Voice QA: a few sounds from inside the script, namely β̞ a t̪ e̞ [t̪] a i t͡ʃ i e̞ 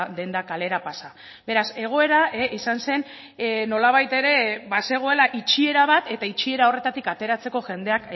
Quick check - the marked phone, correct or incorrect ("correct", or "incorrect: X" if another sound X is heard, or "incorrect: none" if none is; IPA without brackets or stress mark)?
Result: correct